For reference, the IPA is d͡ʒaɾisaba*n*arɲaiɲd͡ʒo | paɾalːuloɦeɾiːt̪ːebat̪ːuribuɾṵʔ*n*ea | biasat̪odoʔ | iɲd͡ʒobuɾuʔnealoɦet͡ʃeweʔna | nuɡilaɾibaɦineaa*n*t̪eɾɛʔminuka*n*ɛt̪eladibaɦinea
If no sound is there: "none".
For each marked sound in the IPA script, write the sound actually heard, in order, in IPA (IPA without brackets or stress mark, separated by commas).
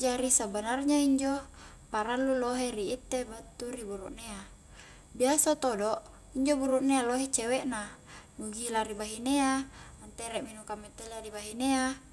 n, n, n, m